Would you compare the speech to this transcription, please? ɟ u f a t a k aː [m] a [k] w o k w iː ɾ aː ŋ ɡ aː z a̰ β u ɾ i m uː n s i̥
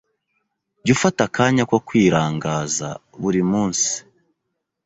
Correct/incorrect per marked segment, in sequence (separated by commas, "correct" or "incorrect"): incorrect, correct